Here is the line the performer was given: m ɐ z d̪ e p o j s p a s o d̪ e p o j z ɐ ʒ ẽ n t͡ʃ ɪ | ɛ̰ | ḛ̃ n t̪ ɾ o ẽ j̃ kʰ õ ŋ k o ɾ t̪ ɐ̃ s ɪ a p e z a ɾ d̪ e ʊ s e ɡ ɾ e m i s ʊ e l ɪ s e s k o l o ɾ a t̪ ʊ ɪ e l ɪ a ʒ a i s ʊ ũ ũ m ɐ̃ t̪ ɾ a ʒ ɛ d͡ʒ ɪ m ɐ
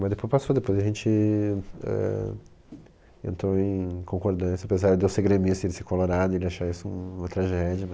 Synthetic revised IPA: m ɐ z d̪ e p o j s p a s o d̪ e p o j z ɐ ʒ ẽ n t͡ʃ ɪ | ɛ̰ | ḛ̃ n t̪ ɾ o ẽ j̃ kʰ õ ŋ k o ɾ d̪ ɐ̃ s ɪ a p e z a ɾ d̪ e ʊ s e ɡ ɾ e m i s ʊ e l ɪ s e k o l o ɾ a d̪ ʊ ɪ e l ɪ a ʃ a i s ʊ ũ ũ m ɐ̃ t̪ ɾ a ʒ ɛ d͡ʒ ɪ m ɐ

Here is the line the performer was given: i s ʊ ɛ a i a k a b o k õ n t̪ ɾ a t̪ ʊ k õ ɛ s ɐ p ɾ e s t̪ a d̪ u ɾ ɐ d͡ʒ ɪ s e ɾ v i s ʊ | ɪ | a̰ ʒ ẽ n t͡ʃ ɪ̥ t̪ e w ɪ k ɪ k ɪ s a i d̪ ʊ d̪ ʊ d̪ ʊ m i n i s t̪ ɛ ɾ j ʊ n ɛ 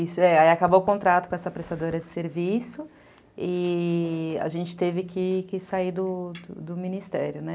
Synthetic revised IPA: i s ʊ ɛ a i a k a b o k õ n t̪ ɾ a t̪ ʊ k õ ɛ s ɐ p ɾ e s t̪ a d̪ o ɾ ɐ d͡ʒ ɪ s e ɾ v i s ʊ | ɪ | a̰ ʒ ẽ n t͡ʃ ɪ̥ t̪ e v ɪ k ɪ k ɪ s a i d̪ ʊ d̪ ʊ d̪ ʊ m i n i s t̪ ɛ ɾ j ʊ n ɛ

